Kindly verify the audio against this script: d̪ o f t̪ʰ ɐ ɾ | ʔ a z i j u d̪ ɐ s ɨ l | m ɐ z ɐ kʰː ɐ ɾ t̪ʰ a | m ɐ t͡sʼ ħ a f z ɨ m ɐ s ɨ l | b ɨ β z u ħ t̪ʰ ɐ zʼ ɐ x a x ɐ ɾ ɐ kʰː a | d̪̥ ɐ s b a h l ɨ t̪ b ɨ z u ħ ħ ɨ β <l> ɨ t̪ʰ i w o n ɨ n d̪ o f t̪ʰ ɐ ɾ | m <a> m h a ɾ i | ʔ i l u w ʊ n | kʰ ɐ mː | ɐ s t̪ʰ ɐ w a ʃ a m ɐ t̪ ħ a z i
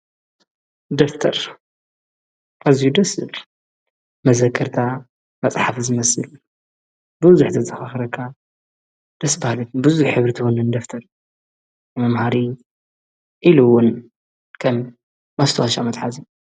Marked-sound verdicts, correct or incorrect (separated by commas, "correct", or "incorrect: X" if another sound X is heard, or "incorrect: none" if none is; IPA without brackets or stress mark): incorrect: ɾ, incorrect: ɐ